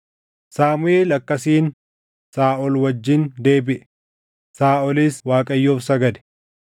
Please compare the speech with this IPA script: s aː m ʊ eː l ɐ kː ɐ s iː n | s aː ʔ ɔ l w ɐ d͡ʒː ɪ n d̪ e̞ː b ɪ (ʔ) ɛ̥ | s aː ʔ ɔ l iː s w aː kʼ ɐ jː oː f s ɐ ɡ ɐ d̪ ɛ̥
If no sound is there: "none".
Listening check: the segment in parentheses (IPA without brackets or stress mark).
ʔ